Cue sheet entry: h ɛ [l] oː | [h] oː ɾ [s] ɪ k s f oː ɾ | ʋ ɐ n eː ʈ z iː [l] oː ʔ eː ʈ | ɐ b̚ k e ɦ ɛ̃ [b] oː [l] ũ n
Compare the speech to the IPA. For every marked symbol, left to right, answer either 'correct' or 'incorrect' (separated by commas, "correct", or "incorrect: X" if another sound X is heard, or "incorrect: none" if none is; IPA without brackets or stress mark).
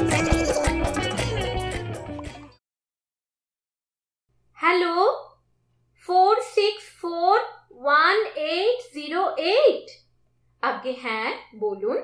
correct, incorrect: f, correct, incorrect: ɾ, correct, correct